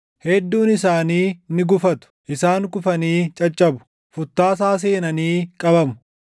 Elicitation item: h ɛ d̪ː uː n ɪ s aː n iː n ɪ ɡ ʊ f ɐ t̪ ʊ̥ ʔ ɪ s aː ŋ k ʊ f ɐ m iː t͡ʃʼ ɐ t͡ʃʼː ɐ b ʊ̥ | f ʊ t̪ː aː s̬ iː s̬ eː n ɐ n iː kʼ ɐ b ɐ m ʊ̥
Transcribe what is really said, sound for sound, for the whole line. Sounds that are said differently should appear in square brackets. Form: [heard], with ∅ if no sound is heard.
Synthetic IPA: h ɛ d̪ː uː n ɪ s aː n iː n ɪ ɡ ʊ f ɐ t̪ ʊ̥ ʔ ɪ s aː ŋ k ʊ f ɐ [n] iː t͡ʃʼ ɐ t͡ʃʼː ɐ b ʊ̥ | f ʊ t̪ː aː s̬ [aː] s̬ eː n ɐ n iː kʼ ɐ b ɐ m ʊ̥